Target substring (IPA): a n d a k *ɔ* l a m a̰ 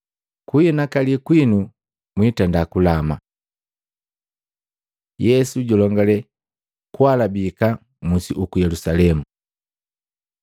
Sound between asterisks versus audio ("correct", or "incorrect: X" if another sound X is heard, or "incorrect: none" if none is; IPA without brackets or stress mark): incorrect: u